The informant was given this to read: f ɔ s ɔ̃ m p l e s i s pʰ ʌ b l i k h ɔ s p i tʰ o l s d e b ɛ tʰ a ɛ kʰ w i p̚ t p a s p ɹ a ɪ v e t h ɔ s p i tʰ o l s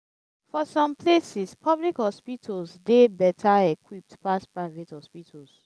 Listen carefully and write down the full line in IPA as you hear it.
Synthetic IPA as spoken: f ɔ s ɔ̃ m p l e s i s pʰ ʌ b l i k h ɔ s p i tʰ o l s d e b ɛ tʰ a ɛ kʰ w i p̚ t p a s p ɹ a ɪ v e t h ɔ s p i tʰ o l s

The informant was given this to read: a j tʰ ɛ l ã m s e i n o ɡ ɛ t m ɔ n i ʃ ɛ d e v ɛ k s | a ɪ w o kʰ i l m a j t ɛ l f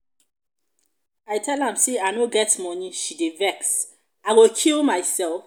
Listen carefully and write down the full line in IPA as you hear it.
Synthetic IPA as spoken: a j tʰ ɛ l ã m s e a n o ɡ ɛ t m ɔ n i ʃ i d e v ɛ k s | a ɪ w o kʰ i l m a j s ɛ l f

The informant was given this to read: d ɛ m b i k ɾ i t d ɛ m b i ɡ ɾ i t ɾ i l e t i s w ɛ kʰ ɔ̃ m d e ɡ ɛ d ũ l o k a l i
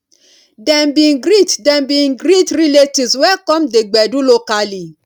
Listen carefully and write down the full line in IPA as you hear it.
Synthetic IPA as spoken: d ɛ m b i ɡ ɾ i t d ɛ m b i ɡ ɾ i t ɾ i l e t i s w ɛ k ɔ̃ m d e ɡ͡b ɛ d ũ l o k a l i

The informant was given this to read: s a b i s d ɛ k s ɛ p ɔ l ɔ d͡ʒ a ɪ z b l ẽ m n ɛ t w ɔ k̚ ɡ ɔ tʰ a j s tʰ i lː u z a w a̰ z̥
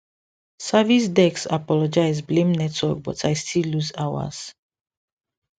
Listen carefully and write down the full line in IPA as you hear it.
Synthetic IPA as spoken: s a v i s d ɛ k s a p ɔ l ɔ d͡ʒ a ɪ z b l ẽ m n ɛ t w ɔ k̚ b ɔ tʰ a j s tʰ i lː u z a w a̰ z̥

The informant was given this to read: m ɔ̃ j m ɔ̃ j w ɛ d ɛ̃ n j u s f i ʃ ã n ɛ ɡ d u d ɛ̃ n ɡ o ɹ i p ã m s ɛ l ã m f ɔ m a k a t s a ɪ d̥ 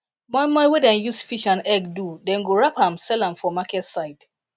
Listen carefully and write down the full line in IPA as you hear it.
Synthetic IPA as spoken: m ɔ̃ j m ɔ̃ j w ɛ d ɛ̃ n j u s f i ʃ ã n ɛ ɡ d u d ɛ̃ n ɡ o ɹ a p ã m s ɛ l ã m f ɔ m a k ɛ t s a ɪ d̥

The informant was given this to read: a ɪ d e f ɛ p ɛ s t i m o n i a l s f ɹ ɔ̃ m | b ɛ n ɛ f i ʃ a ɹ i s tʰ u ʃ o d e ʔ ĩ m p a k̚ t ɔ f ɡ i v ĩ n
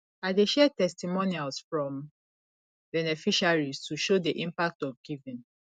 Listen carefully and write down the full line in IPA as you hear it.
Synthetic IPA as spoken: a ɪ d e ʃ ɛ t ɛ s t i m o n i a l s f ɹ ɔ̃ m | b ɛ n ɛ f i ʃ a ɹ i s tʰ u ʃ o d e ʔ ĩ m p a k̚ t ɔ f ɡ i v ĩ n

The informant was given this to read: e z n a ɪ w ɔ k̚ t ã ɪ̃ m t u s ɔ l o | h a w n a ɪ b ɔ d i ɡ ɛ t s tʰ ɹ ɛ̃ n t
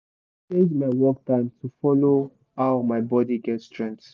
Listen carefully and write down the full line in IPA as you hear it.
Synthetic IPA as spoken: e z m a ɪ w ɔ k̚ t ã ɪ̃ m t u f ɔ l o | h a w m a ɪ b ɔ d i ɡ ɛ t s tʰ ɹ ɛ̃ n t

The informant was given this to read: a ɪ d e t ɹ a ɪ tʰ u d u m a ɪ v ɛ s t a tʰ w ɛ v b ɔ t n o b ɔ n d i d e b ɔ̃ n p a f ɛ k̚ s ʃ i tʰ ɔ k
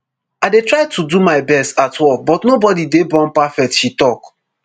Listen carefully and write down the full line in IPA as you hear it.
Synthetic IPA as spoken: a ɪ d e t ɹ a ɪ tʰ u d u m a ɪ b ɛ s t a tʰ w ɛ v b ɔ t n o b ɔ d i d e b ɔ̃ n p a f ɛ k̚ t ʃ i t ɔ k

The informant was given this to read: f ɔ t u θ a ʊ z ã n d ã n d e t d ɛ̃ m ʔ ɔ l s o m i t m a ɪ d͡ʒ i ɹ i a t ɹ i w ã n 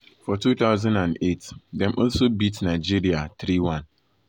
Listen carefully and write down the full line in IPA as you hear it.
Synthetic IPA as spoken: f ɔ t u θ a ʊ z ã n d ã n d e t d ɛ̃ m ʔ ɔ l s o b i t n a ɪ d͡ʒ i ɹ i a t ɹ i w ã n

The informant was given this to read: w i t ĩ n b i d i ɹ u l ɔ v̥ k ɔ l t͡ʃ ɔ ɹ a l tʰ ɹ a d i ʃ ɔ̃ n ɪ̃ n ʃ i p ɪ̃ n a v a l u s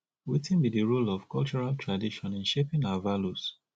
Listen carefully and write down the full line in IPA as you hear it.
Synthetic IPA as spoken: w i t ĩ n b i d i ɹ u l ɔ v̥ k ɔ l t͡ʃ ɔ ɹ a l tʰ ɹ a d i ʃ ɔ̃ n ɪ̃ n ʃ e p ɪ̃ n a v a l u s

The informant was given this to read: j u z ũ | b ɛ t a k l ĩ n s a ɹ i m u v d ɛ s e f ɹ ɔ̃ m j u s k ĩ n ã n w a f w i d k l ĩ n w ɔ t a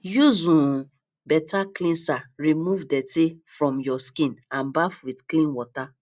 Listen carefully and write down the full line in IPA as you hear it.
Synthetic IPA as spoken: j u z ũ | b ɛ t a k l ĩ n s a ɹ i m u v d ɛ t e f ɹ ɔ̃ m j ɔ s k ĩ n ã n b a f w i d k l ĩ n w ɔ t a

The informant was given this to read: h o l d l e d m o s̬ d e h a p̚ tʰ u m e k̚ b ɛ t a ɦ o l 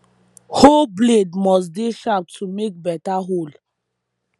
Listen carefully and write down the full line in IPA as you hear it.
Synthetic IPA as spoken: h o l b l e d m ɔ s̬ d e ʃ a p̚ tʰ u m e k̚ b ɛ t a ɦ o l

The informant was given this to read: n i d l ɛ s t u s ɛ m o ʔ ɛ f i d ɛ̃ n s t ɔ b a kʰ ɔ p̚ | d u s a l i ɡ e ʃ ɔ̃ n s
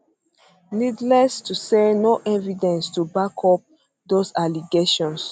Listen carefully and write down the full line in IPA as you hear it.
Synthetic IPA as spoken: n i d l ɛ s t u s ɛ n o ʔ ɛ v i d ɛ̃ n s t u b a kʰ ɔ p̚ | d o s a l i ɡ e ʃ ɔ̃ n s

